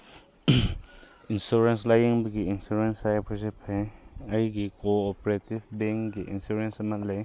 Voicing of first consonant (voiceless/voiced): voiced